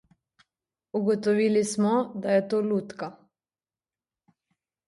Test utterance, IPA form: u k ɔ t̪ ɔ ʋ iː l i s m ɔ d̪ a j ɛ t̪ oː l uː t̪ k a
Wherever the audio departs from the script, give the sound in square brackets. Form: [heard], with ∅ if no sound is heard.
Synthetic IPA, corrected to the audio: u [ɡ] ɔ t̪ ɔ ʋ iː l i s m ɔ d̪ a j ɛ t̪ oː l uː t̪ k a

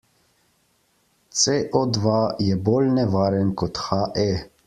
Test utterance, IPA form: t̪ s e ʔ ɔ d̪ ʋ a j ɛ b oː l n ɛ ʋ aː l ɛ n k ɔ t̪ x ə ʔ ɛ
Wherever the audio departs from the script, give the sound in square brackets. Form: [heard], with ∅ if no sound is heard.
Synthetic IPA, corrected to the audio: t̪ s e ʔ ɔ d̪ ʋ a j ɛ b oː l n ɛ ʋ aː [ɾ] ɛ n k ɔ t̪ x [a] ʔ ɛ

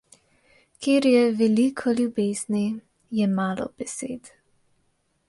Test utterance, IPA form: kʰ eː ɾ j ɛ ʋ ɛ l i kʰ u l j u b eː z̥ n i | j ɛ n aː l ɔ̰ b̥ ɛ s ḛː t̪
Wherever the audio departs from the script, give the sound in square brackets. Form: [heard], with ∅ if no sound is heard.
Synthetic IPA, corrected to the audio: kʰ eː ɾ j ɛ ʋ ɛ l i kʰ [ɔ] l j u b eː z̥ n i | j ɛ [m] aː l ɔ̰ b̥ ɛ s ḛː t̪

